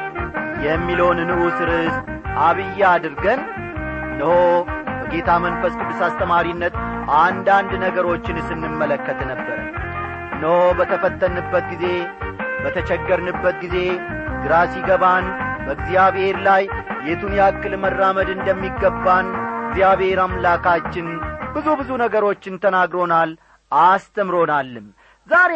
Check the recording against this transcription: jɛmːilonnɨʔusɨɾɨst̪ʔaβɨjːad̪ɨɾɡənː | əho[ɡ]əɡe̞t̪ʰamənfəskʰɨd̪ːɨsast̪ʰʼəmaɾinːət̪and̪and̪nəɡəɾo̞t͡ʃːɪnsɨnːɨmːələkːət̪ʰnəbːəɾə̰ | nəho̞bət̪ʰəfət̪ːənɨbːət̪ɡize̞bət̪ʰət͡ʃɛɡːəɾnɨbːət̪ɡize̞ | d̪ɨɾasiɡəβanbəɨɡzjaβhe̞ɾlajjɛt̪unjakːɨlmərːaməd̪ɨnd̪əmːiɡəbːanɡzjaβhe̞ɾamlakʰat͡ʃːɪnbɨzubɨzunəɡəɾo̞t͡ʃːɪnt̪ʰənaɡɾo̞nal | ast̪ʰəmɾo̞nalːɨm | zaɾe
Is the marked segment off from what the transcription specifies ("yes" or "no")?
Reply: yes